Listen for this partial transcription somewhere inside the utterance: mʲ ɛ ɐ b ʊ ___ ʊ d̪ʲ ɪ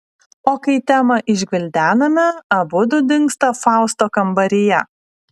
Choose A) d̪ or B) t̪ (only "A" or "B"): A